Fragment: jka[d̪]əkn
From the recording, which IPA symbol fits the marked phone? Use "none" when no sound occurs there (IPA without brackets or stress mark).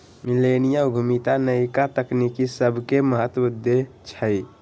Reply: t̪